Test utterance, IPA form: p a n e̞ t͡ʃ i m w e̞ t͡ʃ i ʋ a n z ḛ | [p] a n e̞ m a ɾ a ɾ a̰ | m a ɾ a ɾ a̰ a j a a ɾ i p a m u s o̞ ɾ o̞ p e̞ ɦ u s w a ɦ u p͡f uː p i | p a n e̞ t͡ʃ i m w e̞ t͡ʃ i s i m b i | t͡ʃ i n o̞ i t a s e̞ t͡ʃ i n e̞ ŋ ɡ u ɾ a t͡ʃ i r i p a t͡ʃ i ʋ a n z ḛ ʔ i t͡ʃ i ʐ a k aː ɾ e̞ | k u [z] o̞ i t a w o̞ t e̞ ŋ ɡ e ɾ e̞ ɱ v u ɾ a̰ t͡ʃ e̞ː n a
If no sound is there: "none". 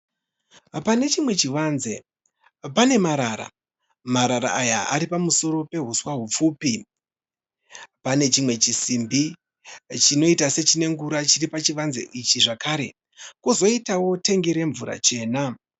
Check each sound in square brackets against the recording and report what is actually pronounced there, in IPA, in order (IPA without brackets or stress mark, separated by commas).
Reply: p, z